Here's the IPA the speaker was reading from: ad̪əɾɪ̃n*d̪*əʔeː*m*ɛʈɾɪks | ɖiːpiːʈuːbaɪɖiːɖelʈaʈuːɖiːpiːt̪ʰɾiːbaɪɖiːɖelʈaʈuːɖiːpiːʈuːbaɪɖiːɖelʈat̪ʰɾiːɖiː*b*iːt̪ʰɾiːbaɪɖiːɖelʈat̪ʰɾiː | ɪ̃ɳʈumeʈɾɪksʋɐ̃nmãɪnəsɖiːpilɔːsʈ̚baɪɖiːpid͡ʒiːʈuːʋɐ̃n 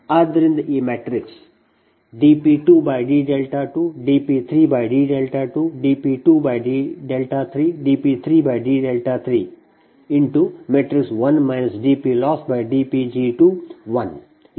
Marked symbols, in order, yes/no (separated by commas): yes, yes, no